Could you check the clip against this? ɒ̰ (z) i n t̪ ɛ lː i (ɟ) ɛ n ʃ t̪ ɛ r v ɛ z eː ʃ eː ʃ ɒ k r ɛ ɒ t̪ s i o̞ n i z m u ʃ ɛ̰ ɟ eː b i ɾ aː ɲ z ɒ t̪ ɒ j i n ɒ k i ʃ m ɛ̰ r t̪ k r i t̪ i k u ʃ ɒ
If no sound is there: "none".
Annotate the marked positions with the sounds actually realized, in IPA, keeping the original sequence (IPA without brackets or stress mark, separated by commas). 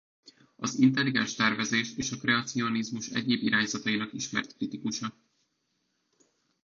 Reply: z, ɡ